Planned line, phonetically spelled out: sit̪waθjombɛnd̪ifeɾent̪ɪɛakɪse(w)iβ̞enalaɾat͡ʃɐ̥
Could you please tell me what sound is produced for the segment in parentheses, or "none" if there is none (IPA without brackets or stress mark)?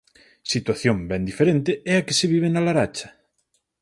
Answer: β